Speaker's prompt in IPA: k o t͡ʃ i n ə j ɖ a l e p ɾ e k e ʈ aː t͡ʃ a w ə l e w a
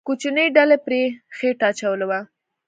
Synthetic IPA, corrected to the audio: k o t͡ʃ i n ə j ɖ a l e p ɾ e x e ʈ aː t͡ʃ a w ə l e w a